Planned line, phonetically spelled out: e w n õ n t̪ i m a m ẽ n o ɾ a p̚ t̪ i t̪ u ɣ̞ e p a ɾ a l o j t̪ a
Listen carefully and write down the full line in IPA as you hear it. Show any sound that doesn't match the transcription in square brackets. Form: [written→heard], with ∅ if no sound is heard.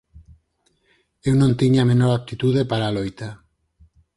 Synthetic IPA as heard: e w n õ n t̪ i [m→ɲ] a m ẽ n o ɾ a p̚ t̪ i t̪ u [ɣ̞→ð̞] e p a ɾ a l o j t̪ a